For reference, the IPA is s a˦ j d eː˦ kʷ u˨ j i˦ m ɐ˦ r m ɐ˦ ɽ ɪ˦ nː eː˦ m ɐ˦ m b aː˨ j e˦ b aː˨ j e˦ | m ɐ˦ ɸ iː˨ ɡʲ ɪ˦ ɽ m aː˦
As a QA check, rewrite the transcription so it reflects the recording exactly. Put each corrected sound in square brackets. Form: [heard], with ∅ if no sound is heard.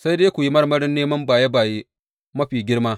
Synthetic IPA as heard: s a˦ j d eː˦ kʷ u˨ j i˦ m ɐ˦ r m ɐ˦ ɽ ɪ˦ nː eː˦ m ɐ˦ m b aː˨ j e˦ b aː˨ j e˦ | m ɐ˦ ɸ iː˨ ɡʲ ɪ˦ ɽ m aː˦